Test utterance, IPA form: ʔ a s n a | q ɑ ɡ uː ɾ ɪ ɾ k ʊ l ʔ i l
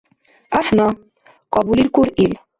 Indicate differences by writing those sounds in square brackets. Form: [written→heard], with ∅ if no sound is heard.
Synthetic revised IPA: ʔ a [s→ħ] n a | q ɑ [ɡ→b] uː [ɾ→l] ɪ [ɾ→l] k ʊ [l→ɾ] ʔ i l